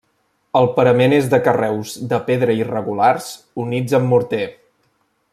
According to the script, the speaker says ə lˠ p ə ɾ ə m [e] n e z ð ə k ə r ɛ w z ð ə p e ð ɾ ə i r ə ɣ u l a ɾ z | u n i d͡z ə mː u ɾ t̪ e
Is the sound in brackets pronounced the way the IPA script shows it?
yes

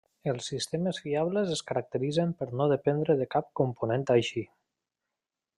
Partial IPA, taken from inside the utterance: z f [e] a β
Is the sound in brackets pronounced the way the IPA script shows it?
no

